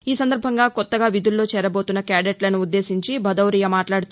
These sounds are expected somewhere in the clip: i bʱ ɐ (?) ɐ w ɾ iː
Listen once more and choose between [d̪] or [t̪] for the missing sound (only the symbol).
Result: d̪